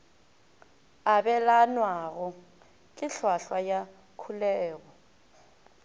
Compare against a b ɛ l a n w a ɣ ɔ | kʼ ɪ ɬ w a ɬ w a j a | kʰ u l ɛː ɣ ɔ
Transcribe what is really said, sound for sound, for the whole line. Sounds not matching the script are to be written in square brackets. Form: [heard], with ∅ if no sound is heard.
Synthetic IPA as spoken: a b ɛ l a n w a ɣ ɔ | kʼ ɪ ɬ w a ɬ w a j a | kʰ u l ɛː ɣ ɔ